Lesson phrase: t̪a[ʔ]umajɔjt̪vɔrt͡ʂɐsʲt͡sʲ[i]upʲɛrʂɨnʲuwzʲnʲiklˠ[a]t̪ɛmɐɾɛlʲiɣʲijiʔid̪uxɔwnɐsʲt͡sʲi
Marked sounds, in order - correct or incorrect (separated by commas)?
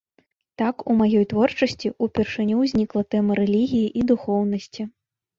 incorrect, correct, incorrect